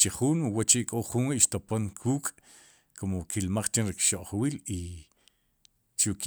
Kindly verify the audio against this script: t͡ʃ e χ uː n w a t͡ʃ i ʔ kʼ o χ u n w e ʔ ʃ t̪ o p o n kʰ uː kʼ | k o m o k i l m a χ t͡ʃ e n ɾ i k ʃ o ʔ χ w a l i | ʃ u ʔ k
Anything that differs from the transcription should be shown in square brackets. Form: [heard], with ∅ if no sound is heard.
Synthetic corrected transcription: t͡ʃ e χ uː n w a t͡ʃ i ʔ kʼ o χ u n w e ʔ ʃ t̪ o p o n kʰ uː kʼ | k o m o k i l m a χ t͡ʃ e n ɾ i k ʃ o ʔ χ w [i] l i | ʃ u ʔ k

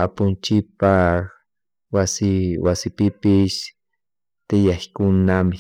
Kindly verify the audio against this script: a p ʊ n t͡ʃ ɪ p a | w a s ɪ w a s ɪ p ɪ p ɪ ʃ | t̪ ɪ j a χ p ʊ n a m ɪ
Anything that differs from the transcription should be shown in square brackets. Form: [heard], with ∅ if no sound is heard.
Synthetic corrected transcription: a p ʊ n t͡ʃ ɪ p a | w a s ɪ w a s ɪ p ɪ p ɪ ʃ | t̪ ɪ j a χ [k] ʊ n a m ɪ

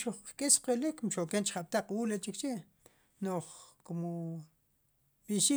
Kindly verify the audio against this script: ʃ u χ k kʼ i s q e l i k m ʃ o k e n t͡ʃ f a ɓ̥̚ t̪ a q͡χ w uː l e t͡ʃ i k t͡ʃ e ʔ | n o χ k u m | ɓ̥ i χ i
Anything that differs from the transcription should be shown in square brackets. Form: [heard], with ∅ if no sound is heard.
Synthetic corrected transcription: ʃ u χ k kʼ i s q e l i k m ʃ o k e n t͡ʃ [χ] a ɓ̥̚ t̪ a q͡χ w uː l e t͡ʃ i k t͡ʃ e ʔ | n o χ k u m | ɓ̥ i [ʃ] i

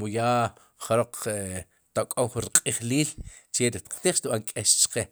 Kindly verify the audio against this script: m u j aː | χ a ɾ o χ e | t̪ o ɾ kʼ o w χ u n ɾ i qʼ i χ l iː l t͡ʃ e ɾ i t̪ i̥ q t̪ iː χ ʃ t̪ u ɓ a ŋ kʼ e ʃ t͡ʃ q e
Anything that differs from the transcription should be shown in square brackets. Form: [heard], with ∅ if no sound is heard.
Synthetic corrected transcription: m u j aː | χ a ɾ o [q͡χ] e | t̪ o [∅] kʼ o w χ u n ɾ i qʼ i χ l iː l t͡ʃ e ɾ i t̪ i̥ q t̪ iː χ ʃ t̪ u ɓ a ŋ kʼ e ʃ t͡ʃ q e

